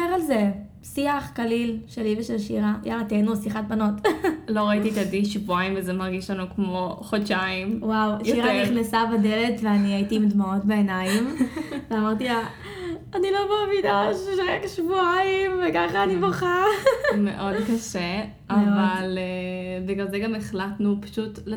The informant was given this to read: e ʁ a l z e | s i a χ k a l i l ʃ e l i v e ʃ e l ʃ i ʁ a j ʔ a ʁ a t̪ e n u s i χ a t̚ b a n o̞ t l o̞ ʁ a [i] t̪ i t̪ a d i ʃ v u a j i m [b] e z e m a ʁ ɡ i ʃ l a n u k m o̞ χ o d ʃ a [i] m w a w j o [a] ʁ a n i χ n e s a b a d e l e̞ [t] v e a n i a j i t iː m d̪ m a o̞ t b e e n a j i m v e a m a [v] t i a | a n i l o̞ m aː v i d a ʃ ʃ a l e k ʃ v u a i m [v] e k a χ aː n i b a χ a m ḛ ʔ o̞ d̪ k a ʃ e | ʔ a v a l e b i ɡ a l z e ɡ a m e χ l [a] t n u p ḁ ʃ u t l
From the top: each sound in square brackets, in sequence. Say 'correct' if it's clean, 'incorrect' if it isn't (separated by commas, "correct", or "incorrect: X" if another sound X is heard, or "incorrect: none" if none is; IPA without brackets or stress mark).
correct, incorrect: v, correct, incorrect: i, correct, incorrect: ʁ, correct, correct